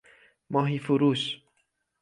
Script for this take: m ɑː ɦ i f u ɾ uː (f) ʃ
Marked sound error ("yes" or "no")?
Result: yes